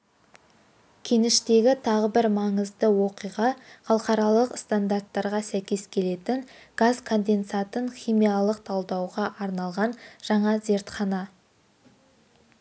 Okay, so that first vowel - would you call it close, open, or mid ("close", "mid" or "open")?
mid